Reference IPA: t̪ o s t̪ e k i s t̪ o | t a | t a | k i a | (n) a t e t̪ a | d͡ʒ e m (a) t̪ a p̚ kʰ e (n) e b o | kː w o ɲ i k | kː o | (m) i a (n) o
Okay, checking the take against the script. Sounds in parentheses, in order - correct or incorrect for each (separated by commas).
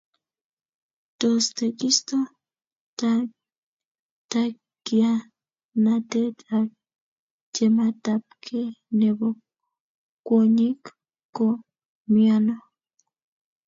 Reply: correct, correct, correct, correct, correct